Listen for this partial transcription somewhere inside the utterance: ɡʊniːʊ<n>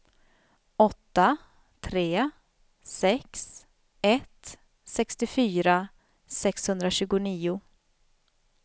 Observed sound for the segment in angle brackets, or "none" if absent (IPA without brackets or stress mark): none